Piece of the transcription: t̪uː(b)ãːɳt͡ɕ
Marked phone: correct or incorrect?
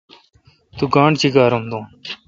incorrect